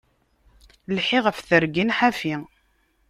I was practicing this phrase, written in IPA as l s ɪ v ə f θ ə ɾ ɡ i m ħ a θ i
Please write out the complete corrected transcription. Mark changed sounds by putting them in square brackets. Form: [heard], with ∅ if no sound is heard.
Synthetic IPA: l [ħ] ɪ [ʁ] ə f θ ə ɾ ɡ i [n] ħ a [f] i